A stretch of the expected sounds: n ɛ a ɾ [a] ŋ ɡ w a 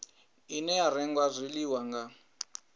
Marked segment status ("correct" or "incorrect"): incorrect